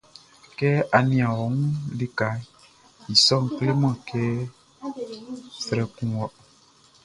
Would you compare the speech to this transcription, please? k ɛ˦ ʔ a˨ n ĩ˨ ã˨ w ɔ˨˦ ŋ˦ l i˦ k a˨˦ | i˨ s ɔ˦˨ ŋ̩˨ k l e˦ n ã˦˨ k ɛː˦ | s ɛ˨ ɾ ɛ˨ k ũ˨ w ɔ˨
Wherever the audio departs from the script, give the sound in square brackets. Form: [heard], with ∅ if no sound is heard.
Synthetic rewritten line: k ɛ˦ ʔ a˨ n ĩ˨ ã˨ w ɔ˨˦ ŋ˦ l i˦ k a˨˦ | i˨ s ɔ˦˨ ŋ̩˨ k l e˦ [m] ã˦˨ k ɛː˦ | s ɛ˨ ɾ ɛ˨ k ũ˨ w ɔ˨

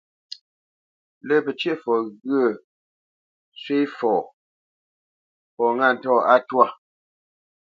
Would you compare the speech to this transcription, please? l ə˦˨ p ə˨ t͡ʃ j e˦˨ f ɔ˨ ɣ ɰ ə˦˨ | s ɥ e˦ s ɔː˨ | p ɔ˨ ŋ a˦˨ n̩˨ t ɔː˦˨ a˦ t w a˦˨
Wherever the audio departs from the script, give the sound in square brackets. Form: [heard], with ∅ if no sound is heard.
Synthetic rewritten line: l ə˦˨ p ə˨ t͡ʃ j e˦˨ f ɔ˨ ɣ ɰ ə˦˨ | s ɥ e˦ [f] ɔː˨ | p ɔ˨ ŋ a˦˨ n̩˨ t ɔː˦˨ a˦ t w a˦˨

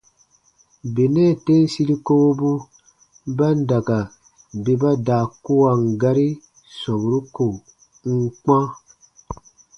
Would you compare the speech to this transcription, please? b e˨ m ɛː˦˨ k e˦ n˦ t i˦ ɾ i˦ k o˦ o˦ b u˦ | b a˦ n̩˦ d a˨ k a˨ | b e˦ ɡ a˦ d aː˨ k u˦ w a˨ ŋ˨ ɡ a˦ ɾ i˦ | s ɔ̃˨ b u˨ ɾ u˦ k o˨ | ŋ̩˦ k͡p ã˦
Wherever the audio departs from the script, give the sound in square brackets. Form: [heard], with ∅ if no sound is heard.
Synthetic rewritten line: b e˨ [n] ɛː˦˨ [t] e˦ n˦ [s] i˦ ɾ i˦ k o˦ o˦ b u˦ | b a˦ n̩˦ d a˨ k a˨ | b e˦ [b] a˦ d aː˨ k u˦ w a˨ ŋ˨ ɡ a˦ ɾ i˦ | s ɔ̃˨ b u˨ ɾ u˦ k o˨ | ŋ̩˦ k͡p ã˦

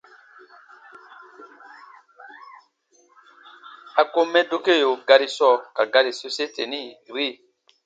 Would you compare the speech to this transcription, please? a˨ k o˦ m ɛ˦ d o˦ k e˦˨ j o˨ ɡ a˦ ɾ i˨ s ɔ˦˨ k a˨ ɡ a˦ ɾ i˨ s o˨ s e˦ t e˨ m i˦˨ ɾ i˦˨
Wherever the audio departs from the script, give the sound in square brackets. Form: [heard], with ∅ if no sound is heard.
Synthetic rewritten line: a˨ k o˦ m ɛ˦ d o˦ k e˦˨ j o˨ ɡ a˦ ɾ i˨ s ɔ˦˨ k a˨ ɡ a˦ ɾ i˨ s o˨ s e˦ t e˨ [n] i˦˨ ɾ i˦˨

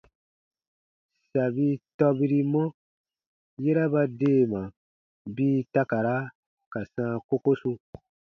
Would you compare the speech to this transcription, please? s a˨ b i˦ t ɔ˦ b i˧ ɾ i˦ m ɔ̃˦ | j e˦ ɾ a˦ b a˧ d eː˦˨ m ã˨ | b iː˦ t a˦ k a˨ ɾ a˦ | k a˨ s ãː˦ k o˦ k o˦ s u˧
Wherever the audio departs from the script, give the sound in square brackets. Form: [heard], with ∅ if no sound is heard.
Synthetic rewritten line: s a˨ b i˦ t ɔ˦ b i˧ ɾ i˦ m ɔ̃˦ | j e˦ ɾ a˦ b a˧ d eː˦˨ m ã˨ | b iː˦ t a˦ k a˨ ɾ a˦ | k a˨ s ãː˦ k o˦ k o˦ s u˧

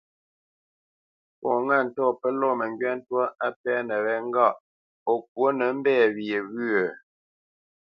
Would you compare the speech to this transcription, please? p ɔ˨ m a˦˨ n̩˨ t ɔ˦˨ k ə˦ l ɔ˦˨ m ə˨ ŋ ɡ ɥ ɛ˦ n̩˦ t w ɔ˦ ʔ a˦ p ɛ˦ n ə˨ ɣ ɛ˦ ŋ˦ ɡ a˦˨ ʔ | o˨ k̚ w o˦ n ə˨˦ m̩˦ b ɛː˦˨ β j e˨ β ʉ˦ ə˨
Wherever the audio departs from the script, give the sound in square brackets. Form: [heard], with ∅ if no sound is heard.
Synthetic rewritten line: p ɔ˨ [ŋ] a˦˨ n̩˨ t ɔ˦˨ [p] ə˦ l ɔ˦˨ m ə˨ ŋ ɡ ɥ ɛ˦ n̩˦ t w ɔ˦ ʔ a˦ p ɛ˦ n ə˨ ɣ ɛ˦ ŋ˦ ɡ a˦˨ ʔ | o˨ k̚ w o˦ n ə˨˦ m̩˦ b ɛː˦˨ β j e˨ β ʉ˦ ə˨

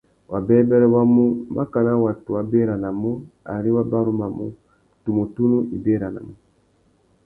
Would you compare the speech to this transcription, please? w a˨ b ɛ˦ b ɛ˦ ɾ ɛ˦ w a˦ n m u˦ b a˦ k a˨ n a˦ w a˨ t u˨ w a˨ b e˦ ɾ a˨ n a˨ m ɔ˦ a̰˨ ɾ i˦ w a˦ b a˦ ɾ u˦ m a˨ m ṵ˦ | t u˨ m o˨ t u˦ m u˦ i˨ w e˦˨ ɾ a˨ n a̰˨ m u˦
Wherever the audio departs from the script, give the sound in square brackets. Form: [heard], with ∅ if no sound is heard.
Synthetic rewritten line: w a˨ b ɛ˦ b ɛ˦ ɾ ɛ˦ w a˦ [∅] m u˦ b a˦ k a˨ n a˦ w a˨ t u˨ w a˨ b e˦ ɾ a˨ n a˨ m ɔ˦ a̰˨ ɾ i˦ w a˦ b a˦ ɾ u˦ m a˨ m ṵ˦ | t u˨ m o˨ t u˦ [n] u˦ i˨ [b] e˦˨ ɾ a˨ n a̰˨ m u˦

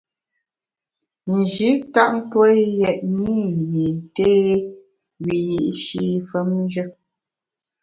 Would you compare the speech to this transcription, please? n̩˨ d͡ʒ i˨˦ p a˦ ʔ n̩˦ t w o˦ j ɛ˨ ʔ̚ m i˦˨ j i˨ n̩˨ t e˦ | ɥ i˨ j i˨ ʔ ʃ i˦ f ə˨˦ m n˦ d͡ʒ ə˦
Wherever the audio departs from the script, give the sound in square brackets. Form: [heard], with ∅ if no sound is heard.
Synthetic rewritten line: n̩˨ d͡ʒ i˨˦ [t] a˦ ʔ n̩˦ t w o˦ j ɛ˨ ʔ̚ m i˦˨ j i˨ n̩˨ t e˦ | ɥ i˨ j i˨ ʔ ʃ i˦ f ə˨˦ m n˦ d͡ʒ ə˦

